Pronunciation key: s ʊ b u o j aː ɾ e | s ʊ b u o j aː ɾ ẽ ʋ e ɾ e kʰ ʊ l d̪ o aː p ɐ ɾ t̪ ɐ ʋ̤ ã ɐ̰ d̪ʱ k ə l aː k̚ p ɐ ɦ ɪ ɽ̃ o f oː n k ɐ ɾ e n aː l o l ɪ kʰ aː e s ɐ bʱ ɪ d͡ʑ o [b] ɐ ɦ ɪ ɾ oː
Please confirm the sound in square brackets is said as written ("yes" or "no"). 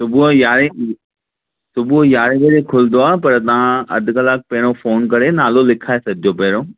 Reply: no